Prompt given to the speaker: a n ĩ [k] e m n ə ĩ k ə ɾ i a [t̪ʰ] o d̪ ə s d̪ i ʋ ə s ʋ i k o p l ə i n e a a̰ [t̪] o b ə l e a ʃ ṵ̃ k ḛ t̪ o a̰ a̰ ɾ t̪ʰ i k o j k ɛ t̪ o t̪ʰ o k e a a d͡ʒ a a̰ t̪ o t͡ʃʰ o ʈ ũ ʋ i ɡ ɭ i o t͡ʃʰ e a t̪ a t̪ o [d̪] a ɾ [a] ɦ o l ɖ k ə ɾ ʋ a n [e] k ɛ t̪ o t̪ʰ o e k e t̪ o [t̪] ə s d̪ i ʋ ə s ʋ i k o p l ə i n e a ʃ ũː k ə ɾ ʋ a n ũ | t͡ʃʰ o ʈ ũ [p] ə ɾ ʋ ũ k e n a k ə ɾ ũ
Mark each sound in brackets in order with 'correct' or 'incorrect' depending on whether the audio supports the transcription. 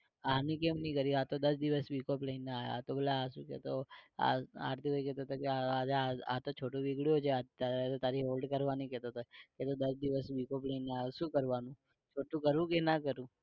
correct, incorrect, correct, incorrect, incorrect, incorrect, incorrect, incorrect

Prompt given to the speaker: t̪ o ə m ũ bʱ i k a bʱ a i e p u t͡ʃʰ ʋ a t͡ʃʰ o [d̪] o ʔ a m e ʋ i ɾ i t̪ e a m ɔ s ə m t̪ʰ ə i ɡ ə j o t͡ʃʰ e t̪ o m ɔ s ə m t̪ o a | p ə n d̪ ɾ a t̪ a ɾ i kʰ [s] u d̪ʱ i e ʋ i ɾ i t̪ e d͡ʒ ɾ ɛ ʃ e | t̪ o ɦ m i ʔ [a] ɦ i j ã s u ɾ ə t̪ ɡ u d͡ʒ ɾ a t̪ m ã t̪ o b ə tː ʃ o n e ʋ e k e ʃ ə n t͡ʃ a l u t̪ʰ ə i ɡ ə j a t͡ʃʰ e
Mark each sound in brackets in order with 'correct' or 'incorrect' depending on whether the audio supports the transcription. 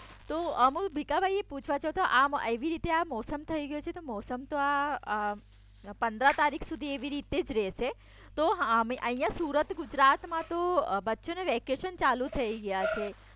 incorrect, correct, incorrect

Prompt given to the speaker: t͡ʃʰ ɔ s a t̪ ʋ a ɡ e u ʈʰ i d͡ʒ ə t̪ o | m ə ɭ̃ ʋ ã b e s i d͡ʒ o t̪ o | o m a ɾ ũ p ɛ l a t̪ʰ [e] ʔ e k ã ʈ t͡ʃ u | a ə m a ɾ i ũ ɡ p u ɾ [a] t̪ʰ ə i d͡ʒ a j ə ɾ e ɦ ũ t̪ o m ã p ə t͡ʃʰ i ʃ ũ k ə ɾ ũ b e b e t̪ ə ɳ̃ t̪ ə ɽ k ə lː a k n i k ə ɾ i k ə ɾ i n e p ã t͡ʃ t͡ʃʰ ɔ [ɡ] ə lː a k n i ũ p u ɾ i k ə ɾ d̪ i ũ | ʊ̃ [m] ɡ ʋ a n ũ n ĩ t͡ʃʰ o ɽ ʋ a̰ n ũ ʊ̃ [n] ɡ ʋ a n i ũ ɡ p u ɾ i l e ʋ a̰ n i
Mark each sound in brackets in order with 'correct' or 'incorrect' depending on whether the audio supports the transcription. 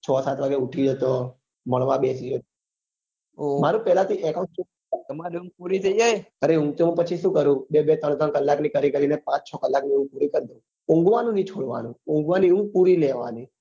incorrect, incorrect, incorrect, incorrect, incorrect

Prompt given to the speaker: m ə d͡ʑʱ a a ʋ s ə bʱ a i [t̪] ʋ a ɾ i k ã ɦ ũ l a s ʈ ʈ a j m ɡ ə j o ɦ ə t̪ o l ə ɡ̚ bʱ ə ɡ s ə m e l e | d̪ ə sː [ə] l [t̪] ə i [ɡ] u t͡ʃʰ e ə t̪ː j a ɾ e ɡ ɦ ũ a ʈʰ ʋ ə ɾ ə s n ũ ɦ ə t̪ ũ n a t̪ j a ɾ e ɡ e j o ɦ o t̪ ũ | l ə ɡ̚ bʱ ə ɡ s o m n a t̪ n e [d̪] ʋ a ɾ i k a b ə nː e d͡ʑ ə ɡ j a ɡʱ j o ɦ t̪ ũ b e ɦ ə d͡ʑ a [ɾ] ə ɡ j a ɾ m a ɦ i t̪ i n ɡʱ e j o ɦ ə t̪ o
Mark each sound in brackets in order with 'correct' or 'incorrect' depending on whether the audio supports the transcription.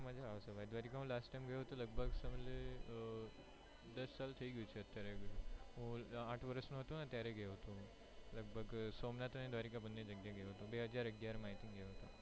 incorrect, incorrect, incorrect, correct, correct, correct

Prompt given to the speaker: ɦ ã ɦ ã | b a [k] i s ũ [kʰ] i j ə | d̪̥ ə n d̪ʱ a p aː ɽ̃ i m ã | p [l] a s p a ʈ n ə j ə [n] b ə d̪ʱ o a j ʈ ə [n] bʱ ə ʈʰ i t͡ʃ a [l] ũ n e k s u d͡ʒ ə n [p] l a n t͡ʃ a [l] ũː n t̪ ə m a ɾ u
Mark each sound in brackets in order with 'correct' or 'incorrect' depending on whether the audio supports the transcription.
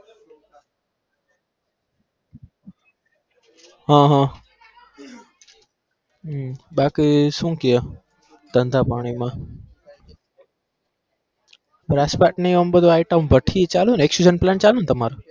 correct, incorrect, incorrect, incorrect, incorrect, correct, correct, correct

